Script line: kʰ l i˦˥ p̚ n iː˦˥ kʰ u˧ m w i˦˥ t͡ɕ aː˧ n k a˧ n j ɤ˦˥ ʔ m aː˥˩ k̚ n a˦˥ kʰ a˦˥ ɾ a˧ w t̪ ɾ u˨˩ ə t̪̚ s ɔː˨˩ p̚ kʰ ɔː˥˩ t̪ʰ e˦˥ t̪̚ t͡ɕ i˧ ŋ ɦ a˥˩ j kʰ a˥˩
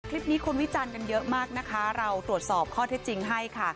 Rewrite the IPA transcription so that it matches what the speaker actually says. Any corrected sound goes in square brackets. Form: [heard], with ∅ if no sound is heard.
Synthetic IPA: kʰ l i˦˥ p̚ n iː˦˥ kʰ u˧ [n] w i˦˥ t͡ɕ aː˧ n k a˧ n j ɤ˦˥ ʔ m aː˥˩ k̚ n a˦˥ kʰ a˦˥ ɾ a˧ w t̪ ɾ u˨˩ ə t̪̚ s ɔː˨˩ p̚ kʰ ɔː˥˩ t̪ʰ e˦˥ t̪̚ t͡ɕ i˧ ŋ ɦ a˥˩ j kʰ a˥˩